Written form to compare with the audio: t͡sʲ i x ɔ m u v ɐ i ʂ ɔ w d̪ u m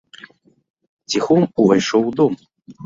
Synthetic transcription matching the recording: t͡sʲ i x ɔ m u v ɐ j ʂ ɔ w d̪ ɔ m